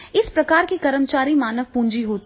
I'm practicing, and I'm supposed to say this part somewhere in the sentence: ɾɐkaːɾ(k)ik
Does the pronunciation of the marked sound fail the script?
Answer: no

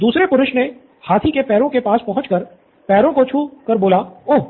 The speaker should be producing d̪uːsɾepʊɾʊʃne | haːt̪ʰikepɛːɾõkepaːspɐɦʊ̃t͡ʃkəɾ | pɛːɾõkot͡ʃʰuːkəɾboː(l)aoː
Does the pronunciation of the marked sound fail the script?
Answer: no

